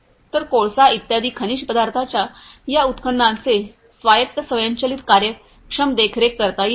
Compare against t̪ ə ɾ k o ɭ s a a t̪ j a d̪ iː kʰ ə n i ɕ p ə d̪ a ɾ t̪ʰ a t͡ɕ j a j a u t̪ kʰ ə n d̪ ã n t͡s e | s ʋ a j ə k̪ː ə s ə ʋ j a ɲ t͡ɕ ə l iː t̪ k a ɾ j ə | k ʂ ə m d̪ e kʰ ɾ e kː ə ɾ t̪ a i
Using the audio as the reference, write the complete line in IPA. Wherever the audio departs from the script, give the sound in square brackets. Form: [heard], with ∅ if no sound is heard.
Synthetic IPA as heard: t̪ ə ɾ k o ɭ s a [i] t̪ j a d̪ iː kʰ ə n i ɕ p ə d̪ a ɾ t̪ʰ a t͡ɕ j a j a u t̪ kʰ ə n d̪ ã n t͡s e | s ʋ a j ə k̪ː ə s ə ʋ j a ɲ t͡ɕ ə l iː t̪ k a ɾ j ə | k ʂ ə m d̪ e kʰ ɾ e kː ə ɾ t̪ a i

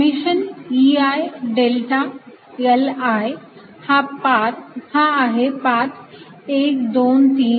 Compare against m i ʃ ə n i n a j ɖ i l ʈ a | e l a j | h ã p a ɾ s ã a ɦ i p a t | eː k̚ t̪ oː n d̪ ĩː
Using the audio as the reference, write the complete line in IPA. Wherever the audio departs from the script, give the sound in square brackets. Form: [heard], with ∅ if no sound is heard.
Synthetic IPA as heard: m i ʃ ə n i [∅] a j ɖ [e] l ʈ a | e l a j | h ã p a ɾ [h] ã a ɦ [e] p a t | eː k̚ [d̪] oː n [t̪] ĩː

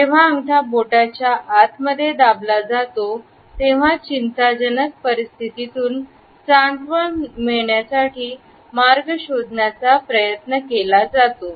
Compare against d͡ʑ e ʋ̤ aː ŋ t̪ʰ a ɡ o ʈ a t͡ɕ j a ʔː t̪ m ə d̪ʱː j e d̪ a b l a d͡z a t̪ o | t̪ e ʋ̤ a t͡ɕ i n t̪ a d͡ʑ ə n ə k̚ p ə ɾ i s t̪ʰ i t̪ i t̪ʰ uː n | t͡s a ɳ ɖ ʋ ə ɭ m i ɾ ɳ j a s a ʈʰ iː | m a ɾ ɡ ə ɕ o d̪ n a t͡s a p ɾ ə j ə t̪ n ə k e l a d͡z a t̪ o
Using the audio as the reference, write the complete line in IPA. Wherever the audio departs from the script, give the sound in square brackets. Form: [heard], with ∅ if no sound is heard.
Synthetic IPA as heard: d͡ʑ e ʋ̤ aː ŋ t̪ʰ a [b] o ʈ a t͡ɕ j a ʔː t̪ m ə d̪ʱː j e d̪ a b l a d͡z a t̪ o | t̪ e ʋ̤ a t͡ɕ i n t̪ a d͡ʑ ə n ə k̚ p ə ɾ i s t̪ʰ i t̪ i [t̪] uː n | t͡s a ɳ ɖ ʋ ə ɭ m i [ɭ] ɳ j a s a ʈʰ iː | m a ɾ ɡ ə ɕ o d̪ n a t͡s a p ɾ ə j ə t̪ n ə k e l a d͡z a t̪ o

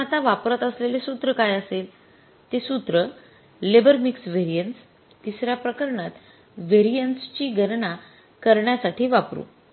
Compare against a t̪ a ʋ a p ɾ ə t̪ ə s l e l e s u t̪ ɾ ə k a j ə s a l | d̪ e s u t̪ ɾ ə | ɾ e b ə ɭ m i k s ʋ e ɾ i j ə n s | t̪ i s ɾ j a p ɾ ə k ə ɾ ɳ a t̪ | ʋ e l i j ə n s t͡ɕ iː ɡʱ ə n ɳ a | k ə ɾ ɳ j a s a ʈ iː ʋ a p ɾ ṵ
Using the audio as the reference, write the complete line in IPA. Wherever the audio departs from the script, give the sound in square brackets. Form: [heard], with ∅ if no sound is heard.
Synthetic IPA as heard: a t̪ a ʋ a p ɾ ə t̪ ə s l e l e s u t̪ ɾ ə k a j ə s [e] l | [t̪] e s u t̪ ɾ ə | [l] e b ə [ɾ] m i k s ʋ e ɾ i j ə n s | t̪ i s ɾ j a p ɾ ə k ə ɾ ɳ a t̪ | ʋ e [ɾ] i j ə n s t͡ɕ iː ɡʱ ə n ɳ a | k ə ɾ ɳ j a s a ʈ iː ʋ a p ɾ ṵ

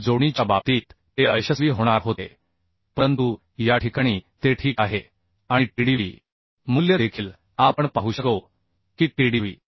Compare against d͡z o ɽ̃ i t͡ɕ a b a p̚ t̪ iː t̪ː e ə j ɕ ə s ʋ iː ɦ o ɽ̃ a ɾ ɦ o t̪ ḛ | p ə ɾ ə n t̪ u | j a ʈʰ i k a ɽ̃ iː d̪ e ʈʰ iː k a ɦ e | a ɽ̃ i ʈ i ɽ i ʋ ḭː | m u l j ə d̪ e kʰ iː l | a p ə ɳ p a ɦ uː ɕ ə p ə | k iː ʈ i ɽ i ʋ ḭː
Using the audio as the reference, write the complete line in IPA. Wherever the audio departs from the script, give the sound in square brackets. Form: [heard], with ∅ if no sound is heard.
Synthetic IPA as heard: d͡z o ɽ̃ i t͡ɕ a b a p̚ t̪ iː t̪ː e ə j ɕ ə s ʋ iː ɦ o ɽ̃ a ɾ ɦ o t̪ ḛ | p ə ɾ ə n t̪ u | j a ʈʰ i k a ɽ̃ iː [t̪] e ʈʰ iː k a ɦ e | a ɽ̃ i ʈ i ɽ i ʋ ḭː | m u l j ə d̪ e kʰ iː l | a p ə ɳ p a ɦ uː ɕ ə [k] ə | k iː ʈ i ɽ i ʋ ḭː

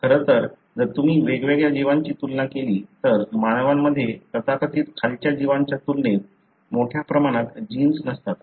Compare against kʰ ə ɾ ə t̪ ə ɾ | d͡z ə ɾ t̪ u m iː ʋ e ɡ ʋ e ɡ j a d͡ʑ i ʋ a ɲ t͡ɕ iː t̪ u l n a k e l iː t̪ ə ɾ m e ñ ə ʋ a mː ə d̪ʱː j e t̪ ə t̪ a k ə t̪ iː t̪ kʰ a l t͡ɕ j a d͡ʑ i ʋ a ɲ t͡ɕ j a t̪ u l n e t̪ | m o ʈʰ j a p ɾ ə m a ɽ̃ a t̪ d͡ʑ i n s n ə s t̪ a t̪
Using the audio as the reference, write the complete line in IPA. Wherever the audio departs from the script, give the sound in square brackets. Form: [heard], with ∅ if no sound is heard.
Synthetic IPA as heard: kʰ ə ɾ ə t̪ ə ɾ | d͡z ə ɾ t̪ u m iː ʋ e ɡ ʋ e ɡ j a d͡ʑ i ʋ a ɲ t͡ɕ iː t̪ u l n a k e l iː t̪ ə ɾ m [a] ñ ə ʋ a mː ə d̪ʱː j e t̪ ə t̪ a k ə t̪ iː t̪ kʰ a l t͡ɕ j a d͡ʑ i ʋ a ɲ t͡ɕ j a t̪ u l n e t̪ | m o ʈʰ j a p ɾ ə m a ɽ̃ a t̪ d͡ʑ i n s n ə s t̪ a t̪

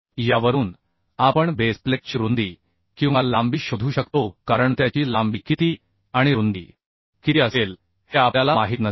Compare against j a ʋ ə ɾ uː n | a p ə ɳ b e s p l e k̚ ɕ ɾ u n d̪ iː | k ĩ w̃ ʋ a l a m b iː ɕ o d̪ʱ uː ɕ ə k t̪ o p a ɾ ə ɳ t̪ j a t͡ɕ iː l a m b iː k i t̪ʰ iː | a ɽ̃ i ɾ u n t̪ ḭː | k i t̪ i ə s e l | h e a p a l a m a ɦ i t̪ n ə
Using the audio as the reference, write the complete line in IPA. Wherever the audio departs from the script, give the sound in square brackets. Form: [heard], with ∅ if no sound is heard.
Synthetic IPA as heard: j a ʋ ə ɾ uː n | a p ə ɳ b e s p l e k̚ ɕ ɾ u n d̪ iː | k ĩ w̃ ʋ a l a m b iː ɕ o d̪ʱ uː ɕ ə k t̪ o [k] a ɾ ə ɳ t̪ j a t͡ɕ iː l a m b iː k i [t̪] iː | a ɽ̃ i ɾ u n [d̪] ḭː | k i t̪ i ə s e l | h e a p a l a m a ɦ i t̪ n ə

